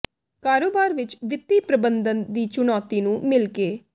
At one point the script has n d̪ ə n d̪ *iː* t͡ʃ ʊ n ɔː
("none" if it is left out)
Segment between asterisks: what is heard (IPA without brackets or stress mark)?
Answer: iː